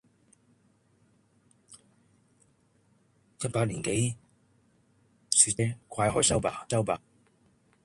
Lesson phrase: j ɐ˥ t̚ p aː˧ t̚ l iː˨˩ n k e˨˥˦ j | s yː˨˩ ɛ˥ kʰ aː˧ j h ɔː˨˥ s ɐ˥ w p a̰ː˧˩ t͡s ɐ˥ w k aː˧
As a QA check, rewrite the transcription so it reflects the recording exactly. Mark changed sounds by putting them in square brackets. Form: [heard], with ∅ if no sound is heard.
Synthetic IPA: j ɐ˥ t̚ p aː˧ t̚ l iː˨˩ n k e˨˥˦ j | s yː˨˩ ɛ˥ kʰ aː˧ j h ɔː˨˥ s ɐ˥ w p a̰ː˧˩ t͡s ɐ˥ w [p] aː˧

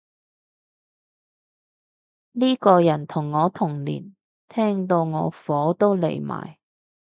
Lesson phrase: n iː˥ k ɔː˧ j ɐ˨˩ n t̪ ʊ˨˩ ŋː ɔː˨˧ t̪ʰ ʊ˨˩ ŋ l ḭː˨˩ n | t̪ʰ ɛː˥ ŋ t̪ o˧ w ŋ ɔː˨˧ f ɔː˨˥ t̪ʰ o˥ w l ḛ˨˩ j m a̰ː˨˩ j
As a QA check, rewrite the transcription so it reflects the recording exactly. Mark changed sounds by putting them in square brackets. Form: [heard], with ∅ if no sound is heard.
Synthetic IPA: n iː˥ k ɔː˧ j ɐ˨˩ n [t̪ʰ] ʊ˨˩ ŋː ɔː˨˧ t̪ʰ ʊ˨˩ ŋ l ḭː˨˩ n | t̪ʰ ɛː˥ ŋ t̪ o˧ w ŋ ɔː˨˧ f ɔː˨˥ [t̪] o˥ w l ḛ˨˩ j m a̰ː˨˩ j

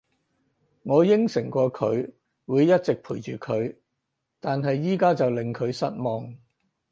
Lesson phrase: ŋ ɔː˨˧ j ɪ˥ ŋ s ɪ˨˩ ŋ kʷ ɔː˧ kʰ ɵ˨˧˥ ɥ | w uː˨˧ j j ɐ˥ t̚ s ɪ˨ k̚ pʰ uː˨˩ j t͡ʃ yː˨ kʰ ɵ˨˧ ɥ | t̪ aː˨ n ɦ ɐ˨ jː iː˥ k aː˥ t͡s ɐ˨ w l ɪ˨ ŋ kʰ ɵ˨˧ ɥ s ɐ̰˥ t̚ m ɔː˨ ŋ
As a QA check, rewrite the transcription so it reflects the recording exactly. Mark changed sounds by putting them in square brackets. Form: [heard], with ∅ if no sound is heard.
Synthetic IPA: ŋ ɔː˨˧ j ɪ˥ ŋ s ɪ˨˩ ŋ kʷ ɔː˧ kʰ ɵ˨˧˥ ɥ | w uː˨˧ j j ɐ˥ t̚ [t͡s] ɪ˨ k̚ pʰ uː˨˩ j t͡ʃ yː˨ kʰ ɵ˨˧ ɥ | t̪ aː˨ n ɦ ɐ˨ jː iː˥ k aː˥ t͡s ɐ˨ w l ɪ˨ ŋ kʰ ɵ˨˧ ɥ s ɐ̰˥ t̚ m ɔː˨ ŋ

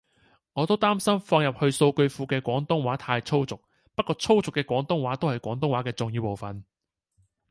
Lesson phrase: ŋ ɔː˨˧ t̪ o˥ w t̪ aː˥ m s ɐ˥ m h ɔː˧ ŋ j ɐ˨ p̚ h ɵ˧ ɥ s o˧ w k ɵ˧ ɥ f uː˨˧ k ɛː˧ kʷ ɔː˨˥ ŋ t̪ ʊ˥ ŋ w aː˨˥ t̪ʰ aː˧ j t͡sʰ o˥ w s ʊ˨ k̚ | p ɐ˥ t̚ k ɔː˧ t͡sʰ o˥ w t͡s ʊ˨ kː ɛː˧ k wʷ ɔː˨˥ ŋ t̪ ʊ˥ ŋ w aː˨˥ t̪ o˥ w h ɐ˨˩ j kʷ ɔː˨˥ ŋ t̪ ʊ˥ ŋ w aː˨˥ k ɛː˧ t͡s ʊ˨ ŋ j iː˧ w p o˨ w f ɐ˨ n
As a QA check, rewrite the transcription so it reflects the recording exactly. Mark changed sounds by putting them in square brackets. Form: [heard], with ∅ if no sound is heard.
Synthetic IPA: ŋ ɔː˨˧ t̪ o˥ w t̪ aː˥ m s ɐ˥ m [f] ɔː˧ ŋ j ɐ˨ p̚ h ɵ˧ ɥ s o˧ w k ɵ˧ ɥ f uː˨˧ k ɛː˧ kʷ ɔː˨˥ ŋ t̪ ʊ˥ ŋ w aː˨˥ t̪ʰ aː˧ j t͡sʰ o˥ w [t͡s] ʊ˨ k̚ | p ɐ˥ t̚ k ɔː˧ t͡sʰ o˥ w t͡s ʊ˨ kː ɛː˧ k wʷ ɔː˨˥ ŋ t̪ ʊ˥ ŋ w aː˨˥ t̪ o˥ w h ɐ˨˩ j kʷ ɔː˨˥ ŋ t̪ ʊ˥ ŋ w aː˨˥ k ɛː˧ t͡s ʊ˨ ŋ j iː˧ w p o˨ w f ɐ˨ n

